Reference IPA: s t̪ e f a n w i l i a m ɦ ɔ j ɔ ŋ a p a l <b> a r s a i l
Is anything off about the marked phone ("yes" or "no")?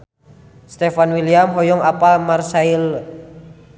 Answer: yes